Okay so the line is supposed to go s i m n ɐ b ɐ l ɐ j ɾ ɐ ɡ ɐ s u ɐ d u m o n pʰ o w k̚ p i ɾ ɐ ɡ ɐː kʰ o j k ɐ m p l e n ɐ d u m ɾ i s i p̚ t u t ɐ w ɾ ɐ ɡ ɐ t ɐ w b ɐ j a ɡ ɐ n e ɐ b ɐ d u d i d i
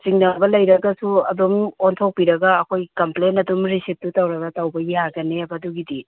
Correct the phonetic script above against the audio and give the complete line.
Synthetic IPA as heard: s i ŋ n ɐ b ɐ l ɐ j ɾ ɐ ɡ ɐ s u ɐ d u m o n tʰ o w k̚ p i ɾ ɐ ɡ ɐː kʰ o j k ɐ m p l e n ɐ d u m ɾ i s i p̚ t u t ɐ w ɾ ɐ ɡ ɐ t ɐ w b ɐ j a ɡ ɐ n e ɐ b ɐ d u ɡ i d i